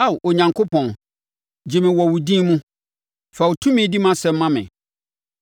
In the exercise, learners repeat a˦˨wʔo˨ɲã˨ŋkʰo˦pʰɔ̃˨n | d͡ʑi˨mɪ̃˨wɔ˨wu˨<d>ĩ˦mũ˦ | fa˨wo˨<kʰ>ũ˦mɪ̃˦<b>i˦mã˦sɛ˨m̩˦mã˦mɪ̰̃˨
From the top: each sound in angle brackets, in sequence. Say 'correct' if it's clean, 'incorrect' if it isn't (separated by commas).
correct, incorrect, incorrect